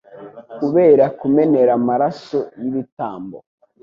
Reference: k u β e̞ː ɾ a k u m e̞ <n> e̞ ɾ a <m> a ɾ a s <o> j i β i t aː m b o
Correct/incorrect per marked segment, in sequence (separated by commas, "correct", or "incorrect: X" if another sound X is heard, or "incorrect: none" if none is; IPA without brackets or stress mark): correct, correct, correct